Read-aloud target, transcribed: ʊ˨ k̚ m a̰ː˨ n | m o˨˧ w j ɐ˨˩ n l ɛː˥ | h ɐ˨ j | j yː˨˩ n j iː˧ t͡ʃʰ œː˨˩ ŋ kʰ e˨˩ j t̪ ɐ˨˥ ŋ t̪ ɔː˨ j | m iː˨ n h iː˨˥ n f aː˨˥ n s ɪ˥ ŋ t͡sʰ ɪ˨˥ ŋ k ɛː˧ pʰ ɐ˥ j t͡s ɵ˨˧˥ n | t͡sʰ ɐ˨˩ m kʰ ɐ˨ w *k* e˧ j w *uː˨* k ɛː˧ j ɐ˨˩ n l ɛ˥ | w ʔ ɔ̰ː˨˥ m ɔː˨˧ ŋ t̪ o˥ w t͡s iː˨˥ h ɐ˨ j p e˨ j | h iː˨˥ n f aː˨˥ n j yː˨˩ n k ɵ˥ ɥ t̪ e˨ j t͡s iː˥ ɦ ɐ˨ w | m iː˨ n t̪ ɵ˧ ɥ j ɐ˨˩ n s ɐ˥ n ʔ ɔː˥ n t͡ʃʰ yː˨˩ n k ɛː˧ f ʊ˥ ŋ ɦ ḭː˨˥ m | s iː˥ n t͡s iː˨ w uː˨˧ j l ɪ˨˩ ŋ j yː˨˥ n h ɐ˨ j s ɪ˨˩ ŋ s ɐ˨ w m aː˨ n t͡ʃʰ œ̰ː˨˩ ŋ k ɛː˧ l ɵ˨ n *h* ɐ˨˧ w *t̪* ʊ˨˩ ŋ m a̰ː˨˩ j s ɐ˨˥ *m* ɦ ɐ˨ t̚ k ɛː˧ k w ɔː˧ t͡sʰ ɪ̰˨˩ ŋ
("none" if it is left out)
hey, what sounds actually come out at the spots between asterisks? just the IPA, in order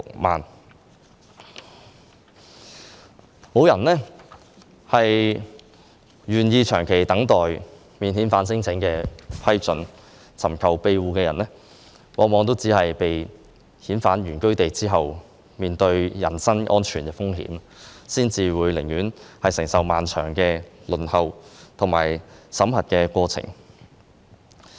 p, uː˨, h, t̪ʰ, m

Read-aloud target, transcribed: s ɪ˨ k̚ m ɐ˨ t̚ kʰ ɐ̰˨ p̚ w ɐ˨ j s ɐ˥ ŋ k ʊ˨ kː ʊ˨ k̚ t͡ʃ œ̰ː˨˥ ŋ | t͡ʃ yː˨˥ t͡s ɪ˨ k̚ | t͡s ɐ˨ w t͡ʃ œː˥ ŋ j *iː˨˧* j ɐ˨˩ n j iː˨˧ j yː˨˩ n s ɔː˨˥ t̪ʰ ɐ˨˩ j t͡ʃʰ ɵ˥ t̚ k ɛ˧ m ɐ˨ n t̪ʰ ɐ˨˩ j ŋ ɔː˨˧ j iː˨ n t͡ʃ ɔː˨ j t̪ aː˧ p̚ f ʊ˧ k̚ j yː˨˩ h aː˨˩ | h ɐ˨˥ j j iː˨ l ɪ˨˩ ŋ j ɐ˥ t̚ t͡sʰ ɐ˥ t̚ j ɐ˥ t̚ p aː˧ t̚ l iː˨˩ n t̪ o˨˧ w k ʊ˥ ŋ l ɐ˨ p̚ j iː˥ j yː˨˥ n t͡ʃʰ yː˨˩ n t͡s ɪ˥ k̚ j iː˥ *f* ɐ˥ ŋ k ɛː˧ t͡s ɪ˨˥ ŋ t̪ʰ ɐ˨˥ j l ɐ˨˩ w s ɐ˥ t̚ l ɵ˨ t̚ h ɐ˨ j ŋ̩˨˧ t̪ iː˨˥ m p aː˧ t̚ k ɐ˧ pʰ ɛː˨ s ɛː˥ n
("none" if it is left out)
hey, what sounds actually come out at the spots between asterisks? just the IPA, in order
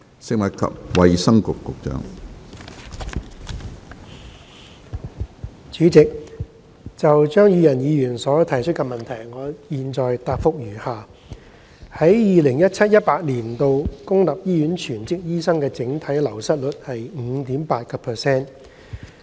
yː˨˧, s

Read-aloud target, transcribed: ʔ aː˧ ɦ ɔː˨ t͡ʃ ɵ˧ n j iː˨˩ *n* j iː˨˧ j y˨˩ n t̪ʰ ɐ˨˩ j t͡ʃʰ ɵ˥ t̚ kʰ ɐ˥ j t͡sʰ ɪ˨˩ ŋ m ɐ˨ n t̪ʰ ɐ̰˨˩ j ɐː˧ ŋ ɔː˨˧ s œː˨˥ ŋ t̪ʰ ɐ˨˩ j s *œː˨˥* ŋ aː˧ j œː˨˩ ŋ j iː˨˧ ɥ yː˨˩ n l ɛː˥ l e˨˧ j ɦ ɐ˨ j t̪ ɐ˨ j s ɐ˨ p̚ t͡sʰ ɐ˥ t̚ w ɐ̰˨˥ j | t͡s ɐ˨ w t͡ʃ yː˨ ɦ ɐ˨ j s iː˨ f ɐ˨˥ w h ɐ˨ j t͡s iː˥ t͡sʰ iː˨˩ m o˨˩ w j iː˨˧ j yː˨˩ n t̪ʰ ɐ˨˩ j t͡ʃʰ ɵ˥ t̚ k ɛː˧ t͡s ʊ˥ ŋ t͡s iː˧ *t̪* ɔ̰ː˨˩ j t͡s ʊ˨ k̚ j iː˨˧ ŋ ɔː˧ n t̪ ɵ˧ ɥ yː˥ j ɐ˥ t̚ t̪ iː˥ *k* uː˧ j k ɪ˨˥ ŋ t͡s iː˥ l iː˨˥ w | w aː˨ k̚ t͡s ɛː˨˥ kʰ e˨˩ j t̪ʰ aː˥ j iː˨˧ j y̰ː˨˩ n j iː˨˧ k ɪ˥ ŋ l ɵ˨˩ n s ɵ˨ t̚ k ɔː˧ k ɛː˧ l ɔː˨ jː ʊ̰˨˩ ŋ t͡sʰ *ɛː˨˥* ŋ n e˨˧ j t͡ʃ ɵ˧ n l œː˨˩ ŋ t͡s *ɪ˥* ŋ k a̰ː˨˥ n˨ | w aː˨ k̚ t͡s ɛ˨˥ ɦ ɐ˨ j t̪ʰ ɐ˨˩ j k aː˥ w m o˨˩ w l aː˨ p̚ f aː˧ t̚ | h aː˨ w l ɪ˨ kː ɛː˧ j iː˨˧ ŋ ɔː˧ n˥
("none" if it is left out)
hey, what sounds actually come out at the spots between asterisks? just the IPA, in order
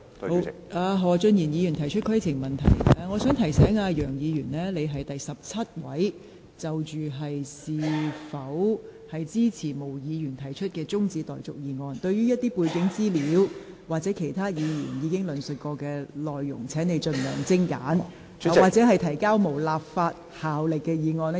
n, ɛː˨˥, t̪, p, ɛː˨˥, ɪ˥

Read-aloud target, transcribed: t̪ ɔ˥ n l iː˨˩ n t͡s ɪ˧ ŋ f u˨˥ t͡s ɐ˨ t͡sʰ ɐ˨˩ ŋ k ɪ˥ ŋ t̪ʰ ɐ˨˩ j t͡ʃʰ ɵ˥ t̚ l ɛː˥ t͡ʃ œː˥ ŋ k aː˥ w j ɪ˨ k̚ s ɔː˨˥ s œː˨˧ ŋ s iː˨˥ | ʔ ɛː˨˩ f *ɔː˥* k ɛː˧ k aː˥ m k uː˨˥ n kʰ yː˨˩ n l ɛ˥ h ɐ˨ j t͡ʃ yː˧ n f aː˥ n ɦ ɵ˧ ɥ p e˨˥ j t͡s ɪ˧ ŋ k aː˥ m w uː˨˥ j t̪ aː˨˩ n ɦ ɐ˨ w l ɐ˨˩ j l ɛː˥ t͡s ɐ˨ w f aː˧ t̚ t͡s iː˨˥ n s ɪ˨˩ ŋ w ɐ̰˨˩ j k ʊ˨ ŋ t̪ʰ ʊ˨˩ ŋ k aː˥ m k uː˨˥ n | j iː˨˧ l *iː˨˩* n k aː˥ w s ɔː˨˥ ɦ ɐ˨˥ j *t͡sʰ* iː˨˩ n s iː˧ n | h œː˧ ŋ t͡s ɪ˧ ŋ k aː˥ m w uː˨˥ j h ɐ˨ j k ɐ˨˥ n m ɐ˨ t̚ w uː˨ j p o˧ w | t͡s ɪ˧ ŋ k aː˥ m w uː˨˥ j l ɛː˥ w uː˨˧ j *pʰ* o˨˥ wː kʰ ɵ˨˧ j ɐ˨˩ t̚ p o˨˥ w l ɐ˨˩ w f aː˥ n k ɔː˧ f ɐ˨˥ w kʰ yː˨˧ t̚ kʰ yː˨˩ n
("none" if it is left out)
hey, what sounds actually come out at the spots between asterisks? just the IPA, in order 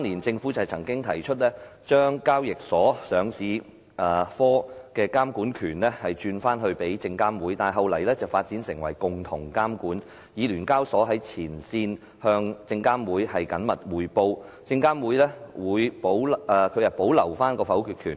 ɔː˥, yː˨˩, t͡sʰ, p

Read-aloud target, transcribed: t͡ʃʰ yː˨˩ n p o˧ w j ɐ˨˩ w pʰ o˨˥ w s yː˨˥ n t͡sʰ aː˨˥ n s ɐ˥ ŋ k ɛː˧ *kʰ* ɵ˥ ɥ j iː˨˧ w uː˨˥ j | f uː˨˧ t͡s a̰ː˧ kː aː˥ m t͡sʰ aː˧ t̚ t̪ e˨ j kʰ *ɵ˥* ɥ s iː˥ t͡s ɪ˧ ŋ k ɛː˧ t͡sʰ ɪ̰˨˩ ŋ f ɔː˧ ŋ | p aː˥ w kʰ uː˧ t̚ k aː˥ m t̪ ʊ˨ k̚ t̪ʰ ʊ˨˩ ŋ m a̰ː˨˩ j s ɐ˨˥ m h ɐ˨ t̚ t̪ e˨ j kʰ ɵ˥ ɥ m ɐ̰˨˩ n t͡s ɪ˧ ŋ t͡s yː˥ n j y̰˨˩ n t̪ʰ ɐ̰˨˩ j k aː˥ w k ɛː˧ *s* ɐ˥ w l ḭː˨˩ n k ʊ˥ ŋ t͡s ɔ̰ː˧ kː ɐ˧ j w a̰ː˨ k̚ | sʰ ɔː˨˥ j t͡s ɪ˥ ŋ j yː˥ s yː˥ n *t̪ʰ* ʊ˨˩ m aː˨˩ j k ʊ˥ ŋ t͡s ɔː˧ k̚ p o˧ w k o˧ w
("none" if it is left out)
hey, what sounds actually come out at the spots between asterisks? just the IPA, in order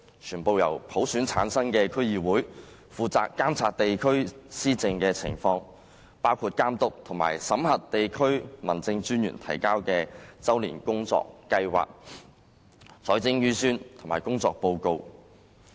kʰ, ɵ˥, t͡s, t̪ʰ

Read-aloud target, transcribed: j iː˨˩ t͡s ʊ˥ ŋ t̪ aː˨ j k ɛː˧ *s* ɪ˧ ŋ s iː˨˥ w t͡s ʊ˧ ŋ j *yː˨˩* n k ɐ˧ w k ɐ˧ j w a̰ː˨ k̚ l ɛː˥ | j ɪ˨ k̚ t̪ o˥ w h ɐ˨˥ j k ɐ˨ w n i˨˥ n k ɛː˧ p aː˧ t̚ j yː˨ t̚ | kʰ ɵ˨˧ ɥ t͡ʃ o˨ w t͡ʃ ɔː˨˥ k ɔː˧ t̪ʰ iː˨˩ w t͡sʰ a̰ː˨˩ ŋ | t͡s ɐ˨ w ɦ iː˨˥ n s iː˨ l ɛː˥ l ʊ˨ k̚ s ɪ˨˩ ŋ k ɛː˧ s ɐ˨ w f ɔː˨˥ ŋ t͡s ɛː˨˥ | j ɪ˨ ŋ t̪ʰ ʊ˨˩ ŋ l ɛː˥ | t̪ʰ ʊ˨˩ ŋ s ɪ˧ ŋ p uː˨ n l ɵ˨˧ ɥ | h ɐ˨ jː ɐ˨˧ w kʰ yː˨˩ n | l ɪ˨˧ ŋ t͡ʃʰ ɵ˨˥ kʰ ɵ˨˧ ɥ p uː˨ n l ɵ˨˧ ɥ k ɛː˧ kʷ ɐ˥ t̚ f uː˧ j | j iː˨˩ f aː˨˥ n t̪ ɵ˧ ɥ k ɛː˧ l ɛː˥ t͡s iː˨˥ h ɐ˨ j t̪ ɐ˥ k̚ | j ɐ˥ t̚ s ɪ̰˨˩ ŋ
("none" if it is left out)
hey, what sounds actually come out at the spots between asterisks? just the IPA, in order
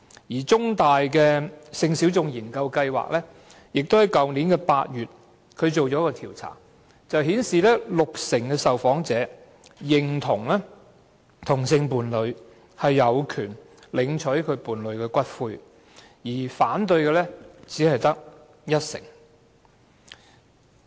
s, iː˨˩

